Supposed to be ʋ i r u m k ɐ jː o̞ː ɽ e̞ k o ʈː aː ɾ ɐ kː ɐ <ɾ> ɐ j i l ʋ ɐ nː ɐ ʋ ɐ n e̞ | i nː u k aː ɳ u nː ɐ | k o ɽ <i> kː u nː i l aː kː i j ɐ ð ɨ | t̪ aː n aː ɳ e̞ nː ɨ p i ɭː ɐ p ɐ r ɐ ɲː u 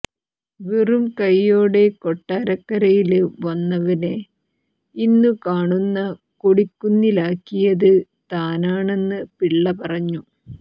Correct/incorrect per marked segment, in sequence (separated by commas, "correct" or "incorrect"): correct, correct